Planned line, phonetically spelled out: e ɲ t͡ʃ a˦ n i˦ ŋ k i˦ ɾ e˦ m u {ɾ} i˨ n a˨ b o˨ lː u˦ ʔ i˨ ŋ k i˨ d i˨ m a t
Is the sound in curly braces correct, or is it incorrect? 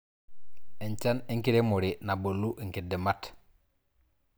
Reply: correct